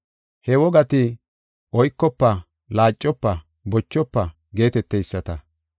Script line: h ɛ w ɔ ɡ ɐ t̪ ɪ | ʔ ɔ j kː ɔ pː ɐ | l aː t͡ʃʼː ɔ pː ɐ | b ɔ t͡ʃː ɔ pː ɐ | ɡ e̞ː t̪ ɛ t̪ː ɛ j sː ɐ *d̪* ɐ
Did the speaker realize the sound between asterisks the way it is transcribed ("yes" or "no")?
no